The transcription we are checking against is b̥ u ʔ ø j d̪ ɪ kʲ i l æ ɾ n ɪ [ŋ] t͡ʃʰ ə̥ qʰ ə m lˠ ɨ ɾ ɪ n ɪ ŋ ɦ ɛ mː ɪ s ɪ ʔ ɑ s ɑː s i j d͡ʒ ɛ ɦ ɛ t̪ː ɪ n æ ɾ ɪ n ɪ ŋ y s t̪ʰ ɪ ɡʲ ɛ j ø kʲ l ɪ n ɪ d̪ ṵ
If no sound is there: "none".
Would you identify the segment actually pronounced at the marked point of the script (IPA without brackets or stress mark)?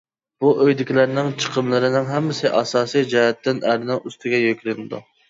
ŋ